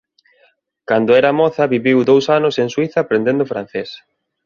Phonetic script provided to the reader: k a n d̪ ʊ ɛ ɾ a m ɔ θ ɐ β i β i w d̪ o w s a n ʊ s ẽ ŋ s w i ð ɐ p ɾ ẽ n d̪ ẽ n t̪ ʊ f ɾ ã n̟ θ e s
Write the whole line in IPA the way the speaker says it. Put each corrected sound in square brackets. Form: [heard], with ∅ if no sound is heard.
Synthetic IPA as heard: k a n d̪ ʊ ɛ ɾ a m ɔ θ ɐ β i β i w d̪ o w s a n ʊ s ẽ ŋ s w i [θ] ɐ p ɾ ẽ n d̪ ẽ n [d̪] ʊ f ɾ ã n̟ θ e s